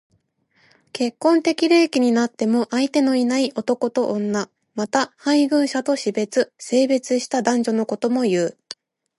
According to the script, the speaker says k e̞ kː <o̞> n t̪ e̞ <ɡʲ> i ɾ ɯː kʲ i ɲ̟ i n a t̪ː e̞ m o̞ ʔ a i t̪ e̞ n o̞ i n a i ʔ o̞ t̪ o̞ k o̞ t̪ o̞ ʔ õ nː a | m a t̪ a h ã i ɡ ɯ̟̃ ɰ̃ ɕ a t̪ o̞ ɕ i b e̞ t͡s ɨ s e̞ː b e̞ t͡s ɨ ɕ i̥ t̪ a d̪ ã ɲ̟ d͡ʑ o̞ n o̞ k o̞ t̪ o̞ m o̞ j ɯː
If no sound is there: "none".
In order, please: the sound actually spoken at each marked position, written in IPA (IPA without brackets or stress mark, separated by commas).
õ̞, kʲ